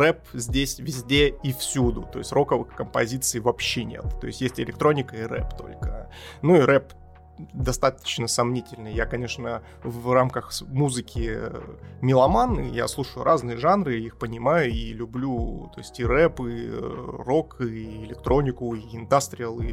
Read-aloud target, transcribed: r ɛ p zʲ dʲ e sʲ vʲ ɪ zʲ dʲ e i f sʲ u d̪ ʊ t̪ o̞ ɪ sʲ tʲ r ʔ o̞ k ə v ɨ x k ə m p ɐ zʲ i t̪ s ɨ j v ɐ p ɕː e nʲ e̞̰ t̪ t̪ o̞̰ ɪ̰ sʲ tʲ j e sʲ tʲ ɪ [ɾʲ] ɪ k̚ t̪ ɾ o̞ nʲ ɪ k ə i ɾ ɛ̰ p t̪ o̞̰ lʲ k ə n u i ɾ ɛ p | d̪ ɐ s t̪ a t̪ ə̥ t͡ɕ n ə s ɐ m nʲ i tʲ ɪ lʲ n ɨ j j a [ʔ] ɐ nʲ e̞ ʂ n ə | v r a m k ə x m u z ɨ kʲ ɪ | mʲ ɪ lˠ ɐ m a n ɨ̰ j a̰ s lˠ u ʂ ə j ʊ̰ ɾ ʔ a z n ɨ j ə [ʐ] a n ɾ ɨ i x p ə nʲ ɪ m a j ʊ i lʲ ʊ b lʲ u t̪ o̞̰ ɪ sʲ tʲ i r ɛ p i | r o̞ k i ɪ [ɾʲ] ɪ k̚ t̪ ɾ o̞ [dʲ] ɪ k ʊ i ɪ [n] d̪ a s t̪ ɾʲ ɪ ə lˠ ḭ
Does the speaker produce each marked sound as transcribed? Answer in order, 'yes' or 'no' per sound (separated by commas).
no, no, yes, no, no, yes